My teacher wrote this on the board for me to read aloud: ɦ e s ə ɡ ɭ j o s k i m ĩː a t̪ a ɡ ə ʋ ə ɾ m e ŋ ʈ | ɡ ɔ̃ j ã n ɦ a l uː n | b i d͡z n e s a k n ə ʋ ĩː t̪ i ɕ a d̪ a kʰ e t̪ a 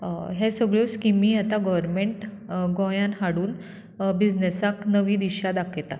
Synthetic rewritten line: ɦ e s ə ɡ ɭ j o s k i m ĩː a t̪ a ɡ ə ʋ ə ɾ m e ɳ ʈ | ɡ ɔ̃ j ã n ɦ a ɽ uː n | b i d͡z n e s a k n ə ʋ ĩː d̪ i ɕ a d̪ a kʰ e t̪ a